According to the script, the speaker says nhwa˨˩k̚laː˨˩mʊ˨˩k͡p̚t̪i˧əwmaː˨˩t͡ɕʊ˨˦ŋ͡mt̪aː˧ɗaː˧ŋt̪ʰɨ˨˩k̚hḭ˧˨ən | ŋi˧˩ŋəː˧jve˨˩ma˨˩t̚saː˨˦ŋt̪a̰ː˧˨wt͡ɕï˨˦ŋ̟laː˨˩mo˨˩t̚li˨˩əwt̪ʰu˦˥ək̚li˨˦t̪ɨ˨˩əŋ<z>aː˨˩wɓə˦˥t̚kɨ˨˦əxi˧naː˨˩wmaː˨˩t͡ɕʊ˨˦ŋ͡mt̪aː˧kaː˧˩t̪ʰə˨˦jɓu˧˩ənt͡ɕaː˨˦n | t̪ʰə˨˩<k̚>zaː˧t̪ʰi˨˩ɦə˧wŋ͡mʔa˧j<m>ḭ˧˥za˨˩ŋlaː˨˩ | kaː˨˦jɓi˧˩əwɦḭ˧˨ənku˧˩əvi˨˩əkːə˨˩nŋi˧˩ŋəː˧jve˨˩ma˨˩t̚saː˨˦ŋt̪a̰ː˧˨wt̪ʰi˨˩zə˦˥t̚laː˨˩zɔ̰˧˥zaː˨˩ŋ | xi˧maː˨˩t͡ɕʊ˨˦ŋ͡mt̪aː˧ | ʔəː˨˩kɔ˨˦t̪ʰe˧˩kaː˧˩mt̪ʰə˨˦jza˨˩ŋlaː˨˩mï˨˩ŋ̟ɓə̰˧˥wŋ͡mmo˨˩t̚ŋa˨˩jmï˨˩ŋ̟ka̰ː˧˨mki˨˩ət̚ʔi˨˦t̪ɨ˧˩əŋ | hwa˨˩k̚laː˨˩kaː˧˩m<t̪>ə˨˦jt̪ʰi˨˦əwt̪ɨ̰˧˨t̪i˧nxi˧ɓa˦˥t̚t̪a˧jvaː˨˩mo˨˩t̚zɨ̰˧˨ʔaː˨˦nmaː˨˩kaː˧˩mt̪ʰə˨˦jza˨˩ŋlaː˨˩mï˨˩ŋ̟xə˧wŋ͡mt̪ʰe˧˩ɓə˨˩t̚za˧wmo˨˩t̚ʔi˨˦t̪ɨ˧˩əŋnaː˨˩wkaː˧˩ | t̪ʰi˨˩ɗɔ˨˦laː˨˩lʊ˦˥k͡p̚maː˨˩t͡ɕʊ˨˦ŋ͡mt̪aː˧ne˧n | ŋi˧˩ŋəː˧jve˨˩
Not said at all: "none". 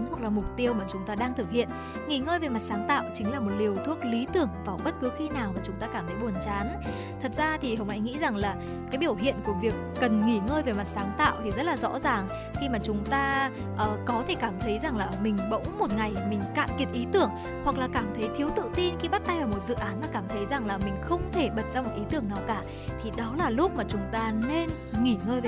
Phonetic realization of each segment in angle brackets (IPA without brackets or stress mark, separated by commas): v, t̚, ŋ, t̪ʰ